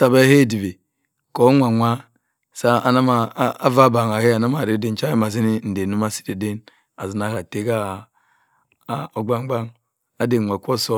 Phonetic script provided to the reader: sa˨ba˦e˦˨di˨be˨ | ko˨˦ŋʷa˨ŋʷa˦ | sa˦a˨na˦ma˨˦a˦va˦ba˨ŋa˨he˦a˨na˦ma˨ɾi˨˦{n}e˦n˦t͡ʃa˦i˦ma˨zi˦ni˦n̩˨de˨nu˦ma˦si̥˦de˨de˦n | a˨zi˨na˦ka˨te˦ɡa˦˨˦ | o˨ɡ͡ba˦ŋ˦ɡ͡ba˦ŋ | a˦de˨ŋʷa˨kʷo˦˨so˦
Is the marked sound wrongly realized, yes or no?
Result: yes